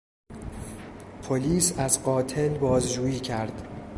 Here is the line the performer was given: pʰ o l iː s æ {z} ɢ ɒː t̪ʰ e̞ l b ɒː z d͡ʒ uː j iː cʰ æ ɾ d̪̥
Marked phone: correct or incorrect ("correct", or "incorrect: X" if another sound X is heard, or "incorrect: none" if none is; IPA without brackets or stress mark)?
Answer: correct